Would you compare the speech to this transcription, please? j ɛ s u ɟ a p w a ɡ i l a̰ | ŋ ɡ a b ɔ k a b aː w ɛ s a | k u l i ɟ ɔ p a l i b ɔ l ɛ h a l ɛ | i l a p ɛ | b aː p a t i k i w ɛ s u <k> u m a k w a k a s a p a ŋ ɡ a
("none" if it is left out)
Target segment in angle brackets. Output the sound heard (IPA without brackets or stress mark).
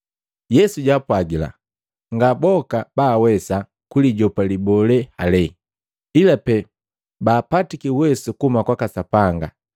k